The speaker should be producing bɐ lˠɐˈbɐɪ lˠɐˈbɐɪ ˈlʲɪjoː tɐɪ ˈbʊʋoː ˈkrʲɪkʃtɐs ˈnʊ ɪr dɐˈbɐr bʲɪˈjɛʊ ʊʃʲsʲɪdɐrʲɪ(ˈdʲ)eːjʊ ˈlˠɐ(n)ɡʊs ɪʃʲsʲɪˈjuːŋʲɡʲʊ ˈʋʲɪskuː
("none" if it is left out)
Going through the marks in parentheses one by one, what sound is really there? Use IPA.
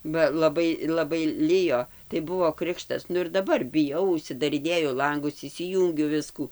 nʲ, ŋ

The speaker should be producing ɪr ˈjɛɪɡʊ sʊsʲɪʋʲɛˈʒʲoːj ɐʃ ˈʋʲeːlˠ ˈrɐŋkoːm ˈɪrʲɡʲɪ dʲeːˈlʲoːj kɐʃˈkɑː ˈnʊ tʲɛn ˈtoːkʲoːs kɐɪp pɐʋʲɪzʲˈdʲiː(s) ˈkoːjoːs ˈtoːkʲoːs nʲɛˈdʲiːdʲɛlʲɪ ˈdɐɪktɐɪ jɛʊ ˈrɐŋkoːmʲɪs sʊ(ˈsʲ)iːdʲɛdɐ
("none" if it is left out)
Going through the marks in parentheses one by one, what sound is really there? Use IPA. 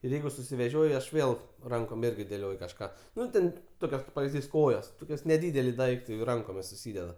s, sʲ

